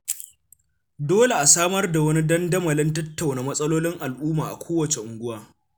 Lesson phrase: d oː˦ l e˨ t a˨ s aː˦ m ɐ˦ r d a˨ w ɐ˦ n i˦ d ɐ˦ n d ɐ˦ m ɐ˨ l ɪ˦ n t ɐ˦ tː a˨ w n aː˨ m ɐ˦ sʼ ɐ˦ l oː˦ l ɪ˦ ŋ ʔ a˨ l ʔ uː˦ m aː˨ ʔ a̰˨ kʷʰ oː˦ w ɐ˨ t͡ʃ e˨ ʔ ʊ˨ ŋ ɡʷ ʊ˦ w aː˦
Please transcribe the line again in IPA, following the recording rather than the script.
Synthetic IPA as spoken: d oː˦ l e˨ ʔ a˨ s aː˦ m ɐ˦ r d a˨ w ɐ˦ n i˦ d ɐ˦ n d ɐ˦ m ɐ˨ l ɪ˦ n t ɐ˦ tː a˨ w n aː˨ m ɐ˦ sʼ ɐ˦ l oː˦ l ɪ˦ ŋ ʔ a˨ l ʔ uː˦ m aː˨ ʔ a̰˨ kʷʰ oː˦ w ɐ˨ t͡ʃ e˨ ʔ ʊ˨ ŋ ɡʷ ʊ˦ w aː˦

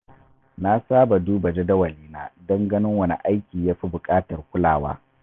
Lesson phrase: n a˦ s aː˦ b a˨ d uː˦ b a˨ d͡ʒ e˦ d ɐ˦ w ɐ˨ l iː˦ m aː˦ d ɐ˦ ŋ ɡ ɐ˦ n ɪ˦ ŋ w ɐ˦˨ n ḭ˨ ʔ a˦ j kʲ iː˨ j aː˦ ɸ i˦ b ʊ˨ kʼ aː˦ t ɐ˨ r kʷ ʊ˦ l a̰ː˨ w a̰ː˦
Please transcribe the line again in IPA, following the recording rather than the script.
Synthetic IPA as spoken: n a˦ s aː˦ b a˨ d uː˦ b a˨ d͡ʒ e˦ d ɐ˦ w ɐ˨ l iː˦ n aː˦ d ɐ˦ ŋ ɡ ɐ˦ n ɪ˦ ŋ w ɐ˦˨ n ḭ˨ ʔ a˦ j kʲ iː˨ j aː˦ ɸ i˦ b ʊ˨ kʼ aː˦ t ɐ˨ r kʷ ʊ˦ l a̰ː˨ w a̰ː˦

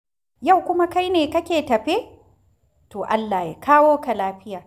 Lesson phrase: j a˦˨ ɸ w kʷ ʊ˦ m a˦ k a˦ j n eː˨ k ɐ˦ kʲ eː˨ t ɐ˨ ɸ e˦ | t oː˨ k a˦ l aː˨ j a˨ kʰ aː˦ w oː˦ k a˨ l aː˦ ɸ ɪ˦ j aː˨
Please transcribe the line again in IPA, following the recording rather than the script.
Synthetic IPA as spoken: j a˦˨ w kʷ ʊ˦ m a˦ k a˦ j n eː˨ k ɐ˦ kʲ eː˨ t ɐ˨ ɸ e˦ | t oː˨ ʔ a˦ lː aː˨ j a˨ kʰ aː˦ w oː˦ k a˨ l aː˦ ɸ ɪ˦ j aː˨

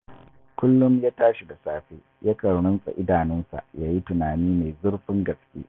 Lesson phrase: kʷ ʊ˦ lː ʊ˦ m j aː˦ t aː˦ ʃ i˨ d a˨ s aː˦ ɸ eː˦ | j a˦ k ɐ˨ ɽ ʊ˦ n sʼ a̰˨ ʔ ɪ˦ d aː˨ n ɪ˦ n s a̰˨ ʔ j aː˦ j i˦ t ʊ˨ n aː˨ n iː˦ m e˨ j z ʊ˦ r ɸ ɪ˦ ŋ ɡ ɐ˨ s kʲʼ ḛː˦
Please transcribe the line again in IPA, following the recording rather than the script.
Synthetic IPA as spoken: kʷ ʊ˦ lː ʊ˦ m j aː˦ t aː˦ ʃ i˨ d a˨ s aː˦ ɸ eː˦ | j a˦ k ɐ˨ ɽ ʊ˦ n sʼ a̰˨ ʔ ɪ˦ d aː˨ n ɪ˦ n s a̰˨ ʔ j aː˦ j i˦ t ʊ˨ n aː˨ n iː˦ m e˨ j z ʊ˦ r ɸ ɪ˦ ŋ ɡ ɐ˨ s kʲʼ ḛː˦

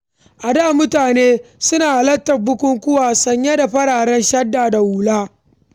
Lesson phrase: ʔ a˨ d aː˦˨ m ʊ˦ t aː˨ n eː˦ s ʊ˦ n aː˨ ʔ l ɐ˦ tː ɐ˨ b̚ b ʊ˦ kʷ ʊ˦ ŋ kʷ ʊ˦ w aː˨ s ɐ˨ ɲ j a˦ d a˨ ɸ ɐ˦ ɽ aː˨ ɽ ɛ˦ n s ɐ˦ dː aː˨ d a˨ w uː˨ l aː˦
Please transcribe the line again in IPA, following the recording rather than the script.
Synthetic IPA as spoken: ʔ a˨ d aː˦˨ m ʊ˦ t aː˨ n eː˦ s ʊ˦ n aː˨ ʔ l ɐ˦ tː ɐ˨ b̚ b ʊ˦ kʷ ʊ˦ ŋ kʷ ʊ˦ w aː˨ s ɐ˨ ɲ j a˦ d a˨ ɸ ɐ˦ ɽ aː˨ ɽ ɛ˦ n ʃ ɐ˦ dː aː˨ d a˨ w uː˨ l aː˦

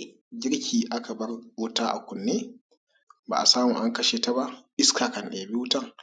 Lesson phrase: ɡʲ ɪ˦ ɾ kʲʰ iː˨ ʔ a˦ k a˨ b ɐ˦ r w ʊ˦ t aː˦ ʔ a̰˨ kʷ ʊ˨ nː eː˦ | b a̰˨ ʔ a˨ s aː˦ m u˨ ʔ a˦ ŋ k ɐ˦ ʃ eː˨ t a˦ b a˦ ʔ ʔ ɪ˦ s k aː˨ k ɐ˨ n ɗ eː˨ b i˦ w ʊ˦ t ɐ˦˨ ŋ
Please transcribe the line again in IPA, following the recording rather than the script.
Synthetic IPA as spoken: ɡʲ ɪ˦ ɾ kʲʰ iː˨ ʔ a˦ k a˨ b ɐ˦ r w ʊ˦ t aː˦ ʔ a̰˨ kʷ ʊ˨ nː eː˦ | b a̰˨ ʔ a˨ s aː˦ m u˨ ʔ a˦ ŋ k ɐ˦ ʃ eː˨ t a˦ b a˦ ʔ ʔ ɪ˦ s k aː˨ k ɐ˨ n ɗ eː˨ b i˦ w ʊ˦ t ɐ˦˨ ŋ

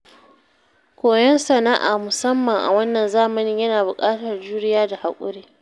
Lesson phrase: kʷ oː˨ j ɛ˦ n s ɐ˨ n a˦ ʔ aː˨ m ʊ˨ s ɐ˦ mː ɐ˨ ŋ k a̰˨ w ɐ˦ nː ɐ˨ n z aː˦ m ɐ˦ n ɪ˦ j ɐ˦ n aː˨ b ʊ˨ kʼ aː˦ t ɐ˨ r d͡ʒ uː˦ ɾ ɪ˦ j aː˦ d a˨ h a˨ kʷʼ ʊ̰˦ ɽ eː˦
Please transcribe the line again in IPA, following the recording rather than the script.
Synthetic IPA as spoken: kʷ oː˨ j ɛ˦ n s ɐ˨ n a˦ ʔ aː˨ m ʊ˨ s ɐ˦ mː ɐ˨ ŋ ʔ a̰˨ w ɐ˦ nː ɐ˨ n z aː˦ m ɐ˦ n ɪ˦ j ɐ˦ n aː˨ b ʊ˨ kʼ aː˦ t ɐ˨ r d͡ʒ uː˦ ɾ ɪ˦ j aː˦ d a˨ h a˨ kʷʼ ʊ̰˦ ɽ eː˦

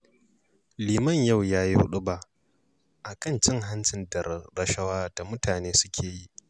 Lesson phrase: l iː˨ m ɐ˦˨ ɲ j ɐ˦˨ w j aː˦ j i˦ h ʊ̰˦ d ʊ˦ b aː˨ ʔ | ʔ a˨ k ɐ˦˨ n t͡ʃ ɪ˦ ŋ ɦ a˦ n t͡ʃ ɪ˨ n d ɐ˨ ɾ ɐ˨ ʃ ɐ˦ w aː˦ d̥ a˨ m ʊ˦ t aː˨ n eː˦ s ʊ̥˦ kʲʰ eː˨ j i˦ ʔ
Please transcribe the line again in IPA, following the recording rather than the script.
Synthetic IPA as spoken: l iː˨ m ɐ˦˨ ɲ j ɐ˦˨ w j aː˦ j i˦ h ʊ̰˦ ɗ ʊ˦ b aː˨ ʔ | ʔ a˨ k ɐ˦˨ n t͡ʃ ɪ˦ ŋ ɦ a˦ n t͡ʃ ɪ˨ n d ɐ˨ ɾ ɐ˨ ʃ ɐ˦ w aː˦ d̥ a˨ m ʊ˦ t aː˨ n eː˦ s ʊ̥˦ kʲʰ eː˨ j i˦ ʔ

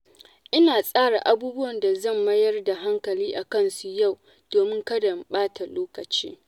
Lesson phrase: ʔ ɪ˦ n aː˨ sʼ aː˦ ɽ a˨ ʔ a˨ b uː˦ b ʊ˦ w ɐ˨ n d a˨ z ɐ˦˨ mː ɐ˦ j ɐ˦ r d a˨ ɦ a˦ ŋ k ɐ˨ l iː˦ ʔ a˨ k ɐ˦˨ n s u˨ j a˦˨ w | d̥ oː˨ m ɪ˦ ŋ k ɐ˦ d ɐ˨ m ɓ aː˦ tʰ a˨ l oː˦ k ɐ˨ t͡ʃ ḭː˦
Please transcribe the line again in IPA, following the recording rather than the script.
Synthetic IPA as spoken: ʔ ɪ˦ n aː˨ sʼ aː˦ ɽ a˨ ʔ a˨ b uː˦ b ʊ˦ w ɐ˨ n d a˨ z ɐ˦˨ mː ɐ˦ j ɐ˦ r d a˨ ɦ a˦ ŋ k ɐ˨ l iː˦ ʔ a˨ k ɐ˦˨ n s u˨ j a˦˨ w | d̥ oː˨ m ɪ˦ ŋ k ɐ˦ d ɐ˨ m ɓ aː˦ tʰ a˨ l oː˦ k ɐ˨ t͡ʃ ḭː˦

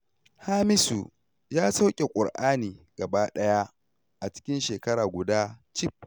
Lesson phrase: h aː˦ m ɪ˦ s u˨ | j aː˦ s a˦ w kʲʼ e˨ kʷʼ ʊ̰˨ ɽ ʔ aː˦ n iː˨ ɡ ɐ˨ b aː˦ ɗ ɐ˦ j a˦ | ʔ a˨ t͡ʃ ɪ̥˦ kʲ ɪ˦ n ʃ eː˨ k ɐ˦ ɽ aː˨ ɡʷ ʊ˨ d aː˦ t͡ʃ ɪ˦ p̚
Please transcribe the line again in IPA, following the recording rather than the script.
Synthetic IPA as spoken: h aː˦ m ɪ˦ s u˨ | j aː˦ s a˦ w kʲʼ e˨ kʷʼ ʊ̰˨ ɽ ʔ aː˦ n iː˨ ɡ ɐ˨ b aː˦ ɗ ɐ˦ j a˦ | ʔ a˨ t͡ʃ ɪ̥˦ kʲ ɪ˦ n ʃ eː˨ k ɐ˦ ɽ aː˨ ɡʷ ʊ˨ d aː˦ t͡ʃ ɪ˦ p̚

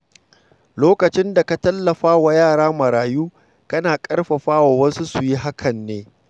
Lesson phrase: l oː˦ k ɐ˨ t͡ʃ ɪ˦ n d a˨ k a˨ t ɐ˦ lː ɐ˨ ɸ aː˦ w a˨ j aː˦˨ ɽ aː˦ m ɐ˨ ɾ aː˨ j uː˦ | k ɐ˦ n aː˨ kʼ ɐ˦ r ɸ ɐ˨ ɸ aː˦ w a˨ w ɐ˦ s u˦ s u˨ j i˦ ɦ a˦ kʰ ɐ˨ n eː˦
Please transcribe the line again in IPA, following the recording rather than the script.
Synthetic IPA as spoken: l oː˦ k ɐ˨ t͡ʃ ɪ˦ n d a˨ k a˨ t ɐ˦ lː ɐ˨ ɸ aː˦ w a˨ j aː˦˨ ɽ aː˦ m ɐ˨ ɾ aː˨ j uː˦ | k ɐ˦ n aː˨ kʼ ɐ˦ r ɸ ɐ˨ ɸ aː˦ w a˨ w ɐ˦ s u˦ s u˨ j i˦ ɦ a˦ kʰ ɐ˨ nː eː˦

